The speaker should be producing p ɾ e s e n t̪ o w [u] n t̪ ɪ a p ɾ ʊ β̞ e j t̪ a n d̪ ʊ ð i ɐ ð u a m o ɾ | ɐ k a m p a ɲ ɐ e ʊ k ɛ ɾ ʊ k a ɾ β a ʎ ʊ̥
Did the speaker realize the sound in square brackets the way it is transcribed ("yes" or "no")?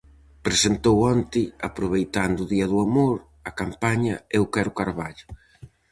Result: no